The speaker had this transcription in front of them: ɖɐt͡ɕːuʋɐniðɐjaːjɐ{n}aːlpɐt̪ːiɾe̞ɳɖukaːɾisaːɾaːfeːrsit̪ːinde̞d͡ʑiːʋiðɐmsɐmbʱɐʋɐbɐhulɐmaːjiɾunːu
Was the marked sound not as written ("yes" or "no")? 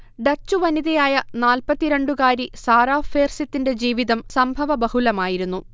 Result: no